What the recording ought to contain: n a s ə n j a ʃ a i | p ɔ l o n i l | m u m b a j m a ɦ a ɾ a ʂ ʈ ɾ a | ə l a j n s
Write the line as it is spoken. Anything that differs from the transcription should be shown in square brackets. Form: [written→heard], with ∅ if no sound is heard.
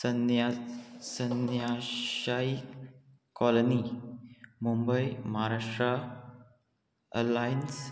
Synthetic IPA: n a s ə n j a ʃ a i | [p→k] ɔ l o n i [l→∅] | m u m b [a→ə] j m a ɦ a ɾ a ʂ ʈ ɾ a | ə l a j n s